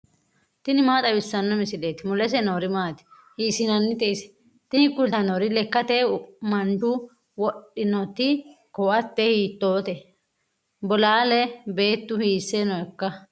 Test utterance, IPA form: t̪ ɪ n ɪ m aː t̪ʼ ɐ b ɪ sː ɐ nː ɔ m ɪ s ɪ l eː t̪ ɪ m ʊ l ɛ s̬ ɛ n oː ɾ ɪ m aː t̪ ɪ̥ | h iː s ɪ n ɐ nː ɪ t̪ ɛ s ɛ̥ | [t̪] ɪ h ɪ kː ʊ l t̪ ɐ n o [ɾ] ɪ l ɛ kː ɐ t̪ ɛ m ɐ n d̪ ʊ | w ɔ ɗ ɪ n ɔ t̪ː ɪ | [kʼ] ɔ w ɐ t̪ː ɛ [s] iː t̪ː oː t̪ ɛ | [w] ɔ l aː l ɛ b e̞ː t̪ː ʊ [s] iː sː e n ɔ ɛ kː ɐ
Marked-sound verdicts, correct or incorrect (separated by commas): correct, correct, incorrect, incorrect, incorrect, incorrect